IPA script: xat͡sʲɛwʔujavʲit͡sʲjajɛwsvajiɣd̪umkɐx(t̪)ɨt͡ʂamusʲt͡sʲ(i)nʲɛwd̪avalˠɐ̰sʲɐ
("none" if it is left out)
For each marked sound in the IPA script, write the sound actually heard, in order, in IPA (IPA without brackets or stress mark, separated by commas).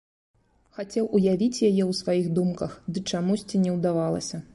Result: d̪, i